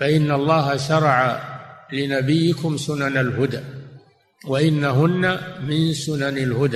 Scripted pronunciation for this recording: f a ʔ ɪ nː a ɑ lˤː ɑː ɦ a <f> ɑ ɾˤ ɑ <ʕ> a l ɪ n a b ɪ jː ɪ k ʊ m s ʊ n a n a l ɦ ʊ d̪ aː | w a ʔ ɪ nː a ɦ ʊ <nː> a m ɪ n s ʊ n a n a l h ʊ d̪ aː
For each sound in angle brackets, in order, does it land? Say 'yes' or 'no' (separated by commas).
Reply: no, yes, yes